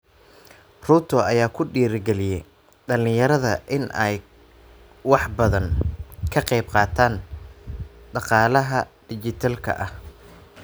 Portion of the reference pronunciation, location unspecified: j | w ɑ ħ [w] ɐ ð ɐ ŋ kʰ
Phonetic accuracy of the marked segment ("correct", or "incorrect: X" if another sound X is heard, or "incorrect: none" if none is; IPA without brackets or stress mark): incorrect: b